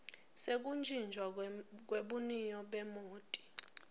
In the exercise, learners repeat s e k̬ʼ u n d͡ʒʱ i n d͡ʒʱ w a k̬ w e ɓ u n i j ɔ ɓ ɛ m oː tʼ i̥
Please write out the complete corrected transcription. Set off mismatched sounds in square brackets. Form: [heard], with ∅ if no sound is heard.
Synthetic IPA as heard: s e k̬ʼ u n d͡ʒʱ i n d͡ʒʱ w a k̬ w e ɓ u n i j ɔ ɓ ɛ m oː tʼ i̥